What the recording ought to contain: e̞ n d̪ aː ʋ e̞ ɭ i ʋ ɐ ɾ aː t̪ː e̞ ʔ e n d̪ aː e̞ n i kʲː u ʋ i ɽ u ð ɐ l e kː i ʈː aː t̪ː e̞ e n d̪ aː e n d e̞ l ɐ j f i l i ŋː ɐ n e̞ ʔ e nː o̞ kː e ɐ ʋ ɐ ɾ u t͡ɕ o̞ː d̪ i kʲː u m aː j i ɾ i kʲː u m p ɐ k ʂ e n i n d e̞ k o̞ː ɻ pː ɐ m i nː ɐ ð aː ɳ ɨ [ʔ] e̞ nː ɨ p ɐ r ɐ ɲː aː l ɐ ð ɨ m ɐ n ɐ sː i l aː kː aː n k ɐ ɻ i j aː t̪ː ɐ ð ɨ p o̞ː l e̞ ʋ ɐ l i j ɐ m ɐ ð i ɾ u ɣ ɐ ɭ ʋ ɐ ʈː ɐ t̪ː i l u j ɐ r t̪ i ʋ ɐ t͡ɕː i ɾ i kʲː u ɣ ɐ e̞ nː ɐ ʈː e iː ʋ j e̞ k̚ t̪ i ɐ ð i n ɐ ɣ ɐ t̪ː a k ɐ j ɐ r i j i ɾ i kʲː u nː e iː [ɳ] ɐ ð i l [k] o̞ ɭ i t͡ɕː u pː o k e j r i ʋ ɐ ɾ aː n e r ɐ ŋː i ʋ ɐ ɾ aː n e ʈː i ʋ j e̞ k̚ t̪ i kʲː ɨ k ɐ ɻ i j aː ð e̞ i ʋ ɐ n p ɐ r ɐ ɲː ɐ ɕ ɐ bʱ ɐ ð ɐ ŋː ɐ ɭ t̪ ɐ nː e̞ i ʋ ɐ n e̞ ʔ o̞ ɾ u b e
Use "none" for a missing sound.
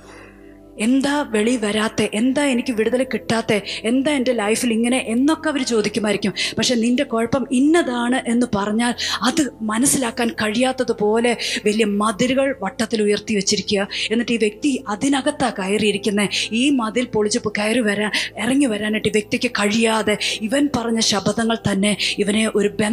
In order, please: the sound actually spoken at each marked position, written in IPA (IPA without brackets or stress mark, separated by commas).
ʔ, m, p